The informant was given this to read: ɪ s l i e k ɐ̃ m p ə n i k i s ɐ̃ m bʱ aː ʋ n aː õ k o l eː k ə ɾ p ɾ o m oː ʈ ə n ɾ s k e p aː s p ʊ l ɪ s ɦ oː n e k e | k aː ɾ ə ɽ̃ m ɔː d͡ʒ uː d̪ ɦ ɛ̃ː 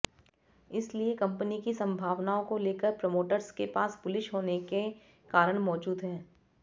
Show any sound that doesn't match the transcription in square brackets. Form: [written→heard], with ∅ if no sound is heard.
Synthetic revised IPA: ɪ s l i e k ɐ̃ m p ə n i k i s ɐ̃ m bʱ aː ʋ n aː õ k o l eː k ə ɾ p ɾ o m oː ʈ ə [n→∅] ɾ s k e p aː s p ʊ l ɪ [s→ʃ] ɦ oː n e k e | k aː ɾ ə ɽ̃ m ɔː d͡ʒ uː d̪ ɦ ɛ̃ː